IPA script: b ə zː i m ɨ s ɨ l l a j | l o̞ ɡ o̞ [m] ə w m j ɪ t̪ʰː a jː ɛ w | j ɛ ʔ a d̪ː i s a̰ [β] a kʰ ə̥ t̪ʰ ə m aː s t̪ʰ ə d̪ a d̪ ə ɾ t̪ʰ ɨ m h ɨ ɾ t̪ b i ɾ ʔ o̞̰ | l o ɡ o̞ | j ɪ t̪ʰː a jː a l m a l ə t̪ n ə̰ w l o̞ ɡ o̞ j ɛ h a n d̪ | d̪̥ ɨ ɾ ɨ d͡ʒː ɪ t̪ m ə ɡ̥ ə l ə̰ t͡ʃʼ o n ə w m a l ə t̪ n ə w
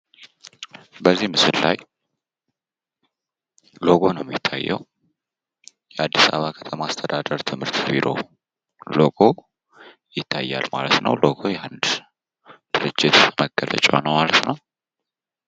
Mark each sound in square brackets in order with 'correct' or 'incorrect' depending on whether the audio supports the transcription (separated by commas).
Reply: incorrect, correct